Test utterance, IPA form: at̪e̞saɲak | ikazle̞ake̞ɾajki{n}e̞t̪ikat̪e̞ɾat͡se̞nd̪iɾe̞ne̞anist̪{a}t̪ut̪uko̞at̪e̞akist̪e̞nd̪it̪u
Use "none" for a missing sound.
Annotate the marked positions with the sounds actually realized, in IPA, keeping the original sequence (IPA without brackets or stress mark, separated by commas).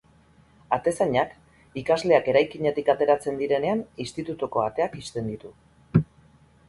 ɲ, i